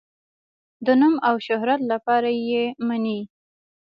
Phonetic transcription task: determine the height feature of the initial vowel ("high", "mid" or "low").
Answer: mid